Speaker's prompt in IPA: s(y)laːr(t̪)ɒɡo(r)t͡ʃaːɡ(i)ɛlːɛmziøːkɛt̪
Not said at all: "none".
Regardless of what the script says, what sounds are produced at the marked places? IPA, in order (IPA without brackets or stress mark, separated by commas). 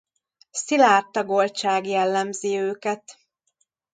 i, t̪, l, j